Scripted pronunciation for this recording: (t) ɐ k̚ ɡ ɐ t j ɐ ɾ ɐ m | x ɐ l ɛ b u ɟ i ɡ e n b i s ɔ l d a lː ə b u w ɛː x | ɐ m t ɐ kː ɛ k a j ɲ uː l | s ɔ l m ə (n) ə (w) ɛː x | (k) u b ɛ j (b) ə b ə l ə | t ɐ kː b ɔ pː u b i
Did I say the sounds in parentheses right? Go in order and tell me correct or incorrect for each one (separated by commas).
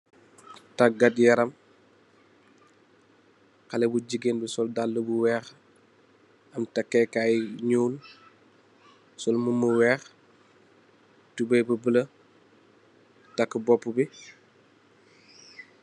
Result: correct, incorrect, correct, incorrect, correct